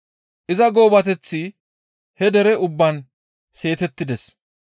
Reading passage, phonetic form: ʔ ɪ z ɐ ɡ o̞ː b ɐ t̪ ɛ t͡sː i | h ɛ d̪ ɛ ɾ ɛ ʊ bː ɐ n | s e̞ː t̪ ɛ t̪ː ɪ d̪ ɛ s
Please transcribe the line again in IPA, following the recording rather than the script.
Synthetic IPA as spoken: ʔ ɪ z ɐ ɡ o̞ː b ɐ t̪ ɛ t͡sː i | h ɛ d̪ ɛ ɾ ɛ ʊ bː ɐ n | s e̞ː t̪ ɛ t̪ː ɪ d̪ ɛ s